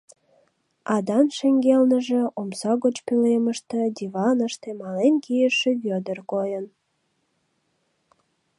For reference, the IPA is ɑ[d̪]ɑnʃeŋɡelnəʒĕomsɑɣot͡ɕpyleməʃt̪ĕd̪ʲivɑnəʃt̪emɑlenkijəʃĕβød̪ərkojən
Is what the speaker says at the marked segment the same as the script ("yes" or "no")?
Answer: yes